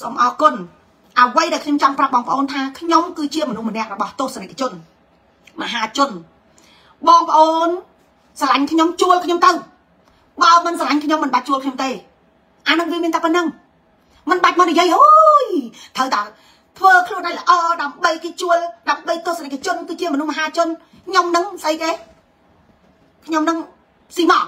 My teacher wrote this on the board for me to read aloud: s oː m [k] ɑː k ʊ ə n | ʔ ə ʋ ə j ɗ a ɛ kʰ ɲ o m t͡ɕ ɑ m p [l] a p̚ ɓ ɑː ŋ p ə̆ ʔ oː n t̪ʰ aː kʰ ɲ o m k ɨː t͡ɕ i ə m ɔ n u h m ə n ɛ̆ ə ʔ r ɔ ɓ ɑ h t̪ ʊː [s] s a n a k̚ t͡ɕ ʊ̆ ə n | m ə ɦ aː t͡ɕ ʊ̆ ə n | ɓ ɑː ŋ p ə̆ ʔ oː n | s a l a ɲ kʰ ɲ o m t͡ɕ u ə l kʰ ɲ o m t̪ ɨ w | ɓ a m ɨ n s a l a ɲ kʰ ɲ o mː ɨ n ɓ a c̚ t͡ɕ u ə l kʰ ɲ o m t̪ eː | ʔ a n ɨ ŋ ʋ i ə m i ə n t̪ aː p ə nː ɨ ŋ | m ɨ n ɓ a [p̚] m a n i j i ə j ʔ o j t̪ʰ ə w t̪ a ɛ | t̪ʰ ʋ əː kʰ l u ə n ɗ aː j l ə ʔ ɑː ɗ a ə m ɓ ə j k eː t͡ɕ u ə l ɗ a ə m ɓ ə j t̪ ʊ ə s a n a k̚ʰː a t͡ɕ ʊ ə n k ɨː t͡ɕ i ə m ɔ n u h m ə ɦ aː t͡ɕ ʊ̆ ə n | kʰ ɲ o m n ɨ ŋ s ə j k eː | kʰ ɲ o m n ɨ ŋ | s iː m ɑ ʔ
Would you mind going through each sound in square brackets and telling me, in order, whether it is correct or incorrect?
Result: incorrect: ʔ, incorrect: r, incorrect: h, incorrect: c̚

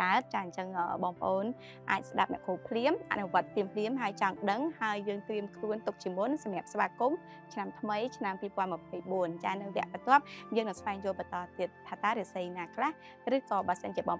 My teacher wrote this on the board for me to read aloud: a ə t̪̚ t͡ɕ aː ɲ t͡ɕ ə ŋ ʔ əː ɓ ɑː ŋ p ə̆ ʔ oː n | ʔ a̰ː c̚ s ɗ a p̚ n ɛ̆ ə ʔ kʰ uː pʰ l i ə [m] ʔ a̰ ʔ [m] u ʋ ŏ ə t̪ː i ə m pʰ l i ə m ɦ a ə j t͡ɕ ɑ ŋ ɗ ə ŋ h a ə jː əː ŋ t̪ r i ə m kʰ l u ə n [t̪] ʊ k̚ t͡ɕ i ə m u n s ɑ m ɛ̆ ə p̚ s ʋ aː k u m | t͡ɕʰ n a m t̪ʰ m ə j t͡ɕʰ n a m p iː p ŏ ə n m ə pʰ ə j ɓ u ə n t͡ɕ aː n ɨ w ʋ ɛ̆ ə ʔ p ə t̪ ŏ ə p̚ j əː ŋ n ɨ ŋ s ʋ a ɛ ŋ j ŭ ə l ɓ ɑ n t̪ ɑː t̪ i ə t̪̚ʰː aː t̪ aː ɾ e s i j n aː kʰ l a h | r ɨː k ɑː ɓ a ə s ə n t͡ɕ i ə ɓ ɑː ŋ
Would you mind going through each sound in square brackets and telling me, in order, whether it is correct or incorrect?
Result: correct, incorrect: n, correct

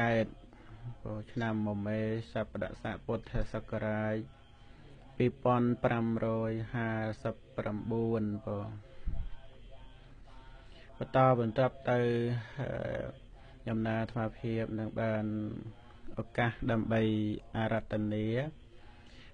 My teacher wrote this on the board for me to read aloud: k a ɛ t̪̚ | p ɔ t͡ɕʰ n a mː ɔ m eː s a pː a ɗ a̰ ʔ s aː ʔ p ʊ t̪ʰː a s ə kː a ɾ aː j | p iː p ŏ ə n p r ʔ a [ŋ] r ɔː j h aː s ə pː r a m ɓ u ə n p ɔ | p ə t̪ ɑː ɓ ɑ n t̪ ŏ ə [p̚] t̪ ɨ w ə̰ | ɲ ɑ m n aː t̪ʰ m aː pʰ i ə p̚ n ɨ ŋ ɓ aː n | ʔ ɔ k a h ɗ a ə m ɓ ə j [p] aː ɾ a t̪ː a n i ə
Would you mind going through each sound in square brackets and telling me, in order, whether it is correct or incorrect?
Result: incorrect: m, correct, incorrect: ʔ

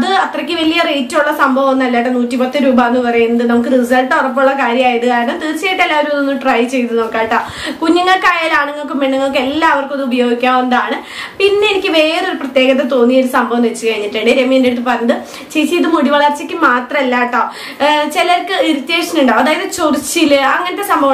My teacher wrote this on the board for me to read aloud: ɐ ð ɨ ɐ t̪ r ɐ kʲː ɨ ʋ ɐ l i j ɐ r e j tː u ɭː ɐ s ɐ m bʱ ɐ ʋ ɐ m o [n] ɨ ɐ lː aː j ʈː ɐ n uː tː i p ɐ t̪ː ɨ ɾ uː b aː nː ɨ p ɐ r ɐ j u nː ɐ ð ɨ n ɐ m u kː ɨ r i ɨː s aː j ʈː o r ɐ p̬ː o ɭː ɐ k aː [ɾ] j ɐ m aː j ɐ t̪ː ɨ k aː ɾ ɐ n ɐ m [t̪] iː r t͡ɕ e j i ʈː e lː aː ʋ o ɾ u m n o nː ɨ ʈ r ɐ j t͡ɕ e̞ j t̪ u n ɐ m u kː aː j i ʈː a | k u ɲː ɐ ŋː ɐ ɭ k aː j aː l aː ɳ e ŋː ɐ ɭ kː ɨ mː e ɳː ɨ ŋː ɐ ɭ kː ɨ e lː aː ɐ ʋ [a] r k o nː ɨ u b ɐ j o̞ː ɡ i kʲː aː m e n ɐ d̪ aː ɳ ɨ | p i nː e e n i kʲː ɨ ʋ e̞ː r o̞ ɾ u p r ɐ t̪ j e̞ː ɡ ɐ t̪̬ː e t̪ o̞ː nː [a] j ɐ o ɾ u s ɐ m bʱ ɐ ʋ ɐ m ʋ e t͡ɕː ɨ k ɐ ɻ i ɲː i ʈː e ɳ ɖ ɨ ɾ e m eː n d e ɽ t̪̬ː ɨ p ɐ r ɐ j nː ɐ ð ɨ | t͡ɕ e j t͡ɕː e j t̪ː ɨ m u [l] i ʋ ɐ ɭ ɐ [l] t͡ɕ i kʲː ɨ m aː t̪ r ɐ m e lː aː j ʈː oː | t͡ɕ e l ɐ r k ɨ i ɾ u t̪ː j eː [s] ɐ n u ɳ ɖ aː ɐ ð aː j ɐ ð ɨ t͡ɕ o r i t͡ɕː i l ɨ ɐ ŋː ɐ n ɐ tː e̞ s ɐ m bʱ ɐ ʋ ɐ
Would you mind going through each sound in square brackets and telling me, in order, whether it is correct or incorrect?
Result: incorrect: nː, correct, correct, incorrect: ɐ, incorrect: i, incorrect: ɽ, incorrect: r, incorrect: ʂ

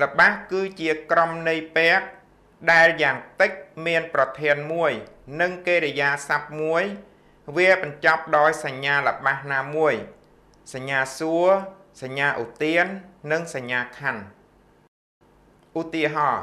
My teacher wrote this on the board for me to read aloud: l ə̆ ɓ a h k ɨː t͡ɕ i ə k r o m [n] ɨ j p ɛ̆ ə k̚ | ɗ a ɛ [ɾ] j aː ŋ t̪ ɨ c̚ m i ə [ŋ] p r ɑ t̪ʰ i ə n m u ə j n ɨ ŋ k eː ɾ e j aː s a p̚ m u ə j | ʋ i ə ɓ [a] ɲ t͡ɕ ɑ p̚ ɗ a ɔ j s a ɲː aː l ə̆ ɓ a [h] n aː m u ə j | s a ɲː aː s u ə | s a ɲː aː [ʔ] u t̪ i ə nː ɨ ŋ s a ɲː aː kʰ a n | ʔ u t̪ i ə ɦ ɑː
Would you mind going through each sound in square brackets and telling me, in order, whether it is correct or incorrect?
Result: correct, incorrect: l, incorrect: n, incorrect: ɑ, correct, correct

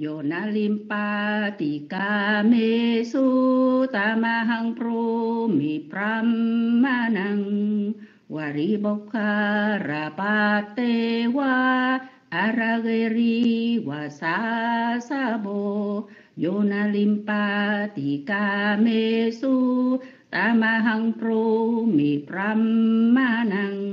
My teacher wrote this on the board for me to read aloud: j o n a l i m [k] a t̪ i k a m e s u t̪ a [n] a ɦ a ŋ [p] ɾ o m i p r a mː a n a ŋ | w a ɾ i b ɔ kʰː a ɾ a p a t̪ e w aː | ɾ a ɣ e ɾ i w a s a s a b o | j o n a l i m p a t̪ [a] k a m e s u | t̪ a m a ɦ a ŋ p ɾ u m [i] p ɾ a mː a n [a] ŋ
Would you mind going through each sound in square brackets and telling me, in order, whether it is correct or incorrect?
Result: incorrect: p, incorrect: m, correct, incorrect: i, correct, correct

